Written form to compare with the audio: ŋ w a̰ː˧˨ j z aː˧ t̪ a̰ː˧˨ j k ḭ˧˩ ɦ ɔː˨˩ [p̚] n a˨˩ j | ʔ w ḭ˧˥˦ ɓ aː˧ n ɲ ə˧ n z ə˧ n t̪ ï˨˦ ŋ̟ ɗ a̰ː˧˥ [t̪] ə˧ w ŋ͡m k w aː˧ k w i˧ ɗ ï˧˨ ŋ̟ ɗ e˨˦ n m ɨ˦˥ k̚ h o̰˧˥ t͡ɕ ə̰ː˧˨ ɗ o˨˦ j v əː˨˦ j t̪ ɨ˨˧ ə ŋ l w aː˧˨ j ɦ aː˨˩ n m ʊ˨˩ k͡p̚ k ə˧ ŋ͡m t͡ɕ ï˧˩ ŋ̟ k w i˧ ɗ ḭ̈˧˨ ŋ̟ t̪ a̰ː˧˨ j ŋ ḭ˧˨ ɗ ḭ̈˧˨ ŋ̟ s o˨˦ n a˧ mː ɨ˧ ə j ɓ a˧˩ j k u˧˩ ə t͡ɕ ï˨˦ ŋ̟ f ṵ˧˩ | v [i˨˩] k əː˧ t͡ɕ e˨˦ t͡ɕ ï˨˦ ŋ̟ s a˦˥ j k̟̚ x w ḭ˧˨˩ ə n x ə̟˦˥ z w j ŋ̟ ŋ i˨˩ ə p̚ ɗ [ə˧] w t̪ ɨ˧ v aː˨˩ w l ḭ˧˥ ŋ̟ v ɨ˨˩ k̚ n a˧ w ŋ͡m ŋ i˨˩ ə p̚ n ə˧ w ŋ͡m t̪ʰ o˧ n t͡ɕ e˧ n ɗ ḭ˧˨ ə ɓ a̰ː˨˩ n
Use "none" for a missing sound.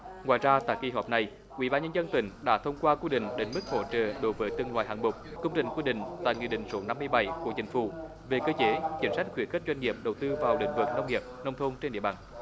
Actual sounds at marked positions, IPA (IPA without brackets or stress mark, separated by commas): p̚, t̪ʰ, e˨˩, ə˨˩